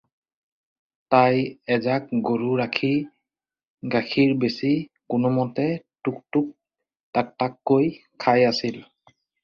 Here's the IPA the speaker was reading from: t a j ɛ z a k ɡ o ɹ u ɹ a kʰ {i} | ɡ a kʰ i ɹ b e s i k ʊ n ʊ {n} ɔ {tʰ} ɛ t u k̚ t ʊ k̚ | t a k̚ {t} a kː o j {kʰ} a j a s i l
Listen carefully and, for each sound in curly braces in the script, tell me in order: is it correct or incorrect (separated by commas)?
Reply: correct, incorrect, incorrect, correct, correct